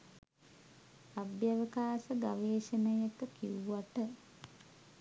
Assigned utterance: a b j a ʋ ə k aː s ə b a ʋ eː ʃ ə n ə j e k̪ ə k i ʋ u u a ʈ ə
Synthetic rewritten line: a b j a ʋ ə k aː s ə ɡ a ʋ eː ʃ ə n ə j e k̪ ə k i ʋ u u a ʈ ə